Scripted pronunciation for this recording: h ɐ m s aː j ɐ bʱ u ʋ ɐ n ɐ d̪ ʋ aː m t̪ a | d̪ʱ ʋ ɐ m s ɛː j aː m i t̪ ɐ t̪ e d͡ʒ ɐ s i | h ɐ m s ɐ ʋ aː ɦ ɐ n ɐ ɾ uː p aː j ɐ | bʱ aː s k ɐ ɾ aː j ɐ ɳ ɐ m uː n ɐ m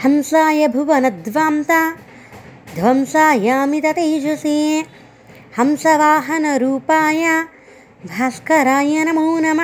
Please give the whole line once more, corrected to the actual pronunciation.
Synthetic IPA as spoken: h ɐ m s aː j ɐ bʱ u ʋ ɐ n ɐ d̪ ʋ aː m t̪ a | d̪ʱ ʋ ɐ m s aː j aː m i t̪ ɐ t̪ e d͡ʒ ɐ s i | h ɐ m s ɐ ʋ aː ɦ ɐ n ɐ ɾ uː p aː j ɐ | bʱ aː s k ɐ ɾ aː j ɐ n ɐ m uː n ɐ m